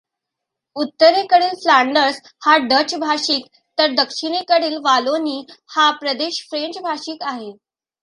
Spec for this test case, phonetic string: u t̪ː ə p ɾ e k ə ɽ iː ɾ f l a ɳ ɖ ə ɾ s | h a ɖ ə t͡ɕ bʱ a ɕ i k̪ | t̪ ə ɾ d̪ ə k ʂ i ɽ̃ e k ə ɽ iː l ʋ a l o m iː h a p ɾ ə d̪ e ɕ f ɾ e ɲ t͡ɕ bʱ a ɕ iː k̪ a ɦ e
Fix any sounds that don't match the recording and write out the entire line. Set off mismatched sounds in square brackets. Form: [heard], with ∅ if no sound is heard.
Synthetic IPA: u t̪ː ə [∅] ɾ e k ə ɽ iː [l] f l a ɳ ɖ ə ɾ s | h a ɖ ə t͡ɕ bʱ a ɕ [iː] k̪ | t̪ ə ɾ d̪ ə k ʂ i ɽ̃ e k ə ɽ iː l ʋ a l o [n] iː h a p ɾ ə d̪ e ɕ f ɾ e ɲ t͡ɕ bʱ a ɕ iː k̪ a ɦ e